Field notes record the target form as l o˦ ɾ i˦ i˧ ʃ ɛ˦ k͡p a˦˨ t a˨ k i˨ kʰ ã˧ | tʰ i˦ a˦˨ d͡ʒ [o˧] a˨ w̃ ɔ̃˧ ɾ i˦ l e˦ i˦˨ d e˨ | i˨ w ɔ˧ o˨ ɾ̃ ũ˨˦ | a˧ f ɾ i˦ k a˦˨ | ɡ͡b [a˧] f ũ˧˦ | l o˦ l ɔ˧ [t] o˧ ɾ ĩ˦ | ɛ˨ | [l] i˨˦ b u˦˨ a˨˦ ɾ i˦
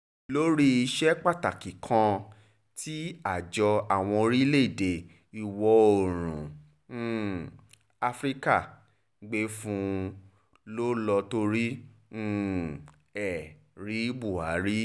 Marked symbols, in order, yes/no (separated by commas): no, no, yes, no